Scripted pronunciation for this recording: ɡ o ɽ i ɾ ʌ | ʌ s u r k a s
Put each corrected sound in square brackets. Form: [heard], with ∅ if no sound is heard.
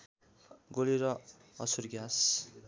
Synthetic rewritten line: ɡ o [l] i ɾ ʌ | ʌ s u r [ɡ] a s

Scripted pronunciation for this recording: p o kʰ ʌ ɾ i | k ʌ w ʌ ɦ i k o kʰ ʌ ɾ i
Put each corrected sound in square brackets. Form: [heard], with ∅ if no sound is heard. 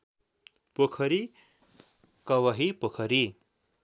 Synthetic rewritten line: p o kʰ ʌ ɾ i | k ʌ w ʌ ɦ i [p] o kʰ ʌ ɾ i

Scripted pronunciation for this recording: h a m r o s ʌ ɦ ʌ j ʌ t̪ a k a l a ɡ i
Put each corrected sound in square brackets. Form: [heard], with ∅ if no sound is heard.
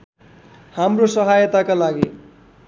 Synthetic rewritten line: h a m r o s ʌ ɦ [a] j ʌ t̪ a k a l a ɡ i

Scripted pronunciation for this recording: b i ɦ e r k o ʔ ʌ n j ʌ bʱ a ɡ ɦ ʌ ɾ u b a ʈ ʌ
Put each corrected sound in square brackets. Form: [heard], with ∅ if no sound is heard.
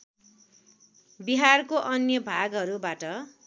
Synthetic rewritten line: b i ɦ [a] r k o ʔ ʌ n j ʌ bʱ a ɡ ɦ ʌ ɾ u b a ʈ ʌ

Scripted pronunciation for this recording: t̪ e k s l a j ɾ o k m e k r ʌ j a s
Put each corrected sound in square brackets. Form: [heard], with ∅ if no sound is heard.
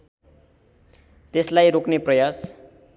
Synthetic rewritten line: t̪ e [∅] s l a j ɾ o k [n] e [p] r ʌ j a s

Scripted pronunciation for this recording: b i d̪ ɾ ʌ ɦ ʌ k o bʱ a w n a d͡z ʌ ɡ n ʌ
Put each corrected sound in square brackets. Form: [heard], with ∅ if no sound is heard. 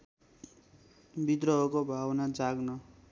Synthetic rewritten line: b i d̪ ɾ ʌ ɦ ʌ k o bʱ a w n a d͡z [a] ɡ n ʌ

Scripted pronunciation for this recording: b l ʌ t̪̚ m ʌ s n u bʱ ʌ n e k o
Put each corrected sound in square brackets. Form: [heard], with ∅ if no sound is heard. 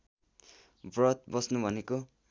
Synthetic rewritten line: b [r] ʌ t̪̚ [b] ʌ s n u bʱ ʌ n e k o

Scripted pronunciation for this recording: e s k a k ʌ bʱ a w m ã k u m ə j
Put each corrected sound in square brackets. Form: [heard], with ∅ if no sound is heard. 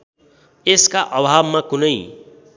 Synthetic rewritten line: e s k a [ʔ] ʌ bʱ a [b] m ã k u [n] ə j

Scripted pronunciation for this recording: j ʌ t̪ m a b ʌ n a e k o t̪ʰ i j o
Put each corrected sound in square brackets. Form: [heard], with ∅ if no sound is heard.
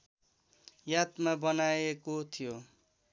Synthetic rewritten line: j [a] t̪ m a b ʌ n a e k o t̪ʰ i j o

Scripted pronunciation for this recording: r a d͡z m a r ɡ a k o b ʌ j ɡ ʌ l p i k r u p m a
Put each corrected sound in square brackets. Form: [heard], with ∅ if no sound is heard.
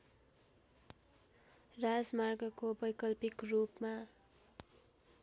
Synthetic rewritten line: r a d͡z m a r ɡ [ʌ] k o b ʌ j [k] ʌ l p i k r u p m a

